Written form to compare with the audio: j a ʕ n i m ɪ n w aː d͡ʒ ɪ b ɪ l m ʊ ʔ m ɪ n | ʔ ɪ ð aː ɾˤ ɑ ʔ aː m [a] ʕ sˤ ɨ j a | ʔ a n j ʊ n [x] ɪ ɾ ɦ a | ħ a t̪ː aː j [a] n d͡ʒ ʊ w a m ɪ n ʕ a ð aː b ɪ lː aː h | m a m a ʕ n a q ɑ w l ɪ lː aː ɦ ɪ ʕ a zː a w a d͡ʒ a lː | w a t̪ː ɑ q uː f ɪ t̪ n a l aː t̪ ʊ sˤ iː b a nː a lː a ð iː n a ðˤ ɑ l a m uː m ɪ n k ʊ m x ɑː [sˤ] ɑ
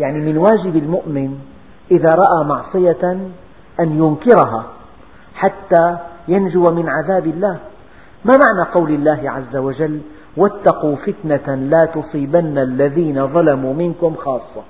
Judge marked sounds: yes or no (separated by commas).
no, no, yes, no